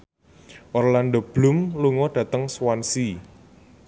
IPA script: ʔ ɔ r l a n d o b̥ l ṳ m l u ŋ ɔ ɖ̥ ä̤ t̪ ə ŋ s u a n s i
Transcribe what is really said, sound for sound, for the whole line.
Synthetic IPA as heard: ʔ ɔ r l a n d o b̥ l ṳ m l u ŋ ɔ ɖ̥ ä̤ t̪ ə ŋ s w a n s i